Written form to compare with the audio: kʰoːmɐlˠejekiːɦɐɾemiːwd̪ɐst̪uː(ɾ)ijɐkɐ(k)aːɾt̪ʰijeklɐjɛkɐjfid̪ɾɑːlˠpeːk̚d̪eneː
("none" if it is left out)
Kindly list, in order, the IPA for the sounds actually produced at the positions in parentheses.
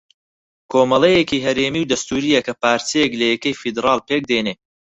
ɾ, p

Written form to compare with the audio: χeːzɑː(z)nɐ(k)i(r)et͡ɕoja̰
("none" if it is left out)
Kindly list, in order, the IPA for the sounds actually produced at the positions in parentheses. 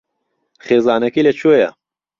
none, k, l

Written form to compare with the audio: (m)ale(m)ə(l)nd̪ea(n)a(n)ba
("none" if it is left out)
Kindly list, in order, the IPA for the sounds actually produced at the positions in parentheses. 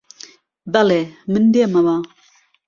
b, m, none, m, none

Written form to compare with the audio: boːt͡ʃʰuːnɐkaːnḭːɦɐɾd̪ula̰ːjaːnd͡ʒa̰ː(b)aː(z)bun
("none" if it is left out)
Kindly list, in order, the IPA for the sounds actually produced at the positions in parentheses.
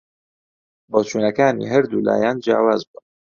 w, z

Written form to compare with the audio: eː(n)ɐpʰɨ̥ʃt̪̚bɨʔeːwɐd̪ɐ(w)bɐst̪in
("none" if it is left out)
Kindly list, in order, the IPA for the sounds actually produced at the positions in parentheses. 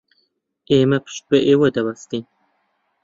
m, none

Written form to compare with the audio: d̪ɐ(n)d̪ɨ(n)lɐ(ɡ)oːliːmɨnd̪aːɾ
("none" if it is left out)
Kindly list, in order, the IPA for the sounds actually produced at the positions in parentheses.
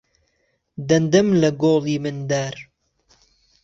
n, m, ɡ

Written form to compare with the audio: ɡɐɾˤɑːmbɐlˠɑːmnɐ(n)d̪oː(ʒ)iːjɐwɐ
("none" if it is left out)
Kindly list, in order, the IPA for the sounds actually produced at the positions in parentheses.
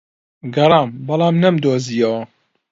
m, z

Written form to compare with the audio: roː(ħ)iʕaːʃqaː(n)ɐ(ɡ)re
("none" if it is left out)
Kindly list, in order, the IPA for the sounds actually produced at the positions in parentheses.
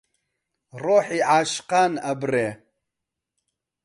ħ, n, b

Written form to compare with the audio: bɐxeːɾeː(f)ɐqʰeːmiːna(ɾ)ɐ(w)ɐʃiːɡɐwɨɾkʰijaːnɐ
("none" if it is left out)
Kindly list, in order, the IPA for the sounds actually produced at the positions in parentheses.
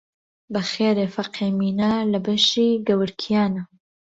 f, l, b

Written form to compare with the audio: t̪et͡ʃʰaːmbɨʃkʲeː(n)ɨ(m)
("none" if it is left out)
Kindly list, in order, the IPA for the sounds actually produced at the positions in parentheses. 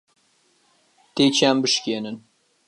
n, n

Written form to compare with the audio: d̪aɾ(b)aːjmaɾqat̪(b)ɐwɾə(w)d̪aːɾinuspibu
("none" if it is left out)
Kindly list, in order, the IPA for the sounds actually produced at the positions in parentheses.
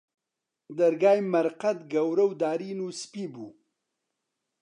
ɡ, ɡ, w

